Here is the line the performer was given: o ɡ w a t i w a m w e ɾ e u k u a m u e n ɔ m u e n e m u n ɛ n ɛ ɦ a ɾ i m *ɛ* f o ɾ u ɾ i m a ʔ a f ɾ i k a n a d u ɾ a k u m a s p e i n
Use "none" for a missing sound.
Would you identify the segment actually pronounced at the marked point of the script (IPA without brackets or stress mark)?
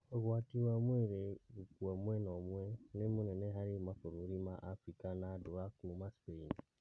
a